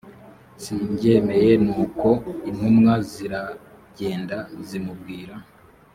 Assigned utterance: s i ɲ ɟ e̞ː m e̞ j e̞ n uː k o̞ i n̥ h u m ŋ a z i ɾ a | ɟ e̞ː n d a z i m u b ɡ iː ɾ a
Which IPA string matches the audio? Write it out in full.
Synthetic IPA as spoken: s i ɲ ɟ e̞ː m e̞ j e̞ n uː k o̞ i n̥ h u m ŋ a z i ɾ a | ɟ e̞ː n d a z i m u b ɡ iː ɾ a

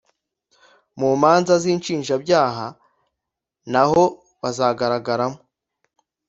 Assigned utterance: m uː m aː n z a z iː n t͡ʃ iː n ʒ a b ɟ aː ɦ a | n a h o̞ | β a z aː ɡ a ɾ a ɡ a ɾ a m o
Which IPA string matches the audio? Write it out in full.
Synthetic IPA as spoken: m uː m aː n z a z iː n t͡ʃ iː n ʒ a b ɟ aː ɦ a | n a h o̞ | β a z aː ɡ a ɾ a ɡ a ɾ a m o

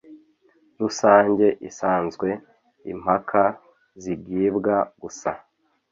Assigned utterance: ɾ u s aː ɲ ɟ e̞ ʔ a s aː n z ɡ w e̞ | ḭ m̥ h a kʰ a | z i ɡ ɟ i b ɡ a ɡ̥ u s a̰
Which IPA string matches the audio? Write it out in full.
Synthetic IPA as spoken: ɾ u s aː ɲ ɟ e̞ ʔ i s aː n z ɡ w e̞ | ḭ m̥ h a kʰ a | z i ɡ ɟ i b ɡ a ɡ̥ u s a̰

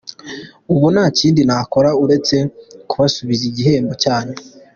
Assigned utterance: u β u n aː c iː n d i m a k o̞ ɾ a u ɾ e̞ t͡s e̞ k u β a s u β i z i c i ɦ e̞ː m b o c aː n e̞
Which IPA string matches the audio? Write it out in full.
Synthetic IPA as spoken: u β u n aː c iː n d i n a k o̞ ɾ a u ɾ e̞ t͡s e̞ k u β a s u β i z i ɟ i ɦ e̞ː m b o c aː n e̞

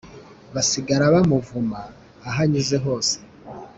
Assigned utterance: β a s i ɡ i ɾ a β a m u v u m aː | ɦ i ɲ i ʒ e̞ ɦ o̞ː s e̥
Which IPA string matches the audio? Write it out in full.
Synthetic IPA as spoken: β a s i ɡ a ɾ a β a m u v u m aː | ɦ a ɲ i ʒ e̞ ɦ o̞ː s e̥

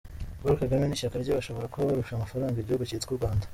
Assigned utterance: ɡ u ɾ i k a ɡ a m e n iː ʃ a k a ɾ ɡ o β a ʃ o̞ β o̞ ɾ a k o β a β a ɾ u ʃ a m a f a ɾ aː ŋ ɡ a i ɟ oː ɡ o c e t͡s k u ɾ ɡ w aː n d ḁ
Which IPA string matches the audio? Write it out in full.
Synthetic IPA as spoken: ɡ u ɾ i k a ɡ a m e n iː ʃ a k a ɾ ɟ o β a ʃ o̞ β o̞ ɾ a k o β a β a ɾ u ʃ a m a f a ɾ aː ŋ ɡ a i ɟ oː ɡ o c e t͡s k u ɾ ɡ w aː n d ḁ

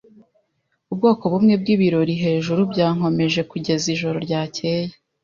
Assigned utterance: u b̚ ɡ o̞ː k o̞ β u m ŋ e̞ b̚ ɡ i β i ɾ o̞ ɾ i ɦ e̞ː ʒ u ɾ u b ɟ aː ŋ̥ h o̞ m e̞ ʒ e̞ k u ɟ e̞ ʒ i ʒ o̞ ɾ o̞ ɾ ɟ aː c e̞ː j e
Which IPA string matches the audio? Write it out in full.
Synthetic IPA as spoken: u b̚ ɡ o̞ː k o̞ β u m ŋ e̞ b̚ ɡ i β i ɾ o̞ ɾ i ɦ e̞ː ʒ u ɾ u b ɟ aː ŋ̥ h o̞ m e̞ ʒ e̞ k u ɟ e̞ z i ʒ o̞ ɾ o̞ ɾ ɟ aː c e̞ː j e

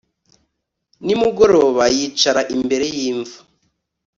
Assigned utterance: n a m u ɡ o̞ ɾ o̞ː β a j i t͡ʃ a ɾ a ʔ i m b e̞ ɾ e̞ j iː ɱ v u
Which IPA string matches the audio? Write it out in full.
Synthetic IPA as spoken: n i m u ɡ o̞ ɾ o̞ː β a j i t͡ʃ a ɾ a ʔ i m b e̞ ɾ e̞ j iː ɱ v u

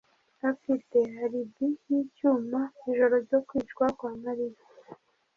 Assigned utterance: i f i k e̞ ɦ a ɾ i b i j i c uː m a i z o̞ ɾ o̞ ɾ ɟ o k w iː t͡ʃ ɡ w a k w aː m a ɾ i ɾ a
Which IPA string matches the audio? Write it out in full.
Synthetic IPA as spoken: a f i t e̞ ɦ a ɾ i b i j i c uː m a i ʒ o̞ ɾ o̞ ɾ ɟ o k w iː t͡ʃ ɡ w a k w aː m a ɾ i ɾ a

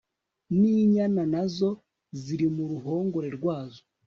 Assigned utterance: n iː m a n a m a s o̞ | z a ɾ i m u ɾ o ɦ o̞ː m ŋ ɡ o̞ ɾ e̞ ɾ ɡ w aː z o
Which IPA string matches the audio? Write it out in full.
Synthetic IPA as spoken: n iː ɲ a n a n a z o̞ | z i ɾ i m u ɾ u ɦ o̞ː ŋ ɡ o̞ ɾ e̞ ɾ ɡ w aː z o

